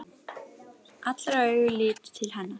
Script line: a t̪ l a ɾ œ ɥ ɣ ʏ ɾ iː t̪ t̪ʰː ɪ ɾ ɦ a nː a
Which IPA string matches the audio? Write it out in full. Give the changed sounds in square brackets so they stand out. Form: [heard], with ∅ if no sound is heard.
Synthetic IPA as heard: a t̪ l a ɾ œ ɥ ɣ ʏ [l] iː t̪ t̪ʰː ɪ [l] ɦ a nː a